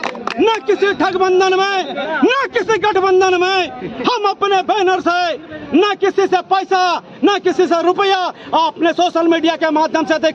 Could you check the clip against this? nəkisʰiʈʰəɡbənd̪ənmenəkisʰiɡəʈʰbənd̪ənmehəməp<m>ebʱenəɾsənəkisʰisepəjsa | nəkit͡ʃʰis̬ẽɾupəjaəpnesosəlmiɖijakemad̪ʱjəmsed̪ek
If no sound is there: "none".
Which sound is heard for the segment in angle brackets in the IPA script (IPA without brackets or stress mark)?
n